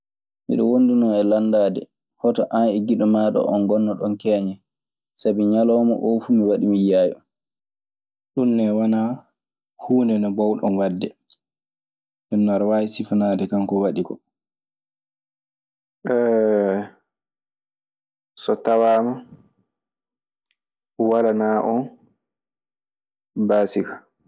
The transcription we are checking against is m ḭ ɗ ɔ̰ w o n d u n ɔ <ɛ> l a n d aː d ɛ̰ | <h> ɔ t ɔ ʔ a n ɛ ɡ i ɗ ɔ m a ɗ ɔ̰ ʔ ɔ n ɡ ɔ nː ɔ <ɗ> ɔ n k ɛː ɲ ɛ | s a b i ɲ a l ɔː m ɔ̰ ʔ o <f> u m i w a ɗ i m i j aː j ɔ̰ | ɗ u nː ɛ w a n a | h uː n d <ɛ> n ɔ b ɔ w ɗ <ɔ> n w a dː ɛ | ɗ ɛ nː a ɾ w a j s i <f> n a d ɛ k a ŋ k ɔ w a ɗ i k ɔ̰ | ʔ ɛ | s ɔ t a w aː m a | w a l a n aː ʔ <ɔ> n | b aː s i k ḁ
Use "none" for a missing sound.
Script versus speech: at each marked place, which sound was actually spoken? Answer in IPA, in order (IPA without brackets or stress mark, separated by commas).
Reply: ɛ, h, ɗ, f, ɛ, ɔ, f, ɔ